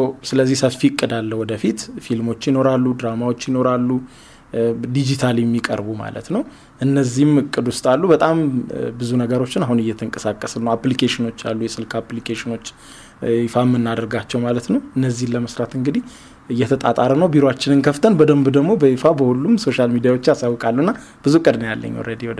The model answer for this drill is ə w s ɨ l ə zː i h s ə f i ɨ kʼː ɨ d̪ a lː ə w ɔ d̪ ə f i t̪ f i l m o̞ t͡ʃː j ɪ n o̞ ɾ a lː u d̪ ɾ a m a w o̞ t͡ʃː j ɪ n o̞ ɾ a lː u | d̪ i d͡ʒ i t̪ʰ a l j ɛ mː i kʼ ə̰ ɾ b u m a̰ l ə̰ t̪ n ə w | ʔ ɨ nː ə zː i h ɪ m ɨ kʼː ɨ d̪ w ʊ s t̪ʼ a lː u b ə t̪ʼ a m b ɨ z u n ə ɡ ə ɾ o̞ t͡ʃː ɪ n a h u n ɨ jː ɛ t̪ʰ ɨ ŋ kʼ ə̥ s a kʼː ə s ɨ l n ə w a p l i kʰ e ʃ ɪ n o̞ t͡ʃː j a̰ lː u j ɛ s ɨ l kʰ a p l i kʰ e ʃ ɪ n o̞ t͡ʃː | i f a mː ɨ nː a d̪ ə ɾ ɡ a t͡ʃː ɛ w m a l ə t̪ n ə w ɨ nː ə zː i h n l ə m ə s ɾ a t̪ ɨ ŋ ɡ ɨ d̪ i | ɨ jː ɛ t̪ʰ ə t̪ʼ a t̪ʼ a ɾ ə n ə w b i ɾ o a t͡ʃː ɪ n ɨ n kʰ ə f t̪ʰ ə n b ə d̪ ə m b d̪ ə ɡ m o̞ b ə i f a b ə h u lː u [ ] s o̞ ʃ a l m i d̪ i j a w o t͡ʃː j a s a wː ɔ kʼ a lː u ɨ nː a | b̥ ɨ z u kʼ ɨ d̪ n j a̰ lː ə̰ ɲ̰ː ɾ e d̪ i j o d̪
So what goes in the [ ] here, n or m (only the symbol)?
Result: m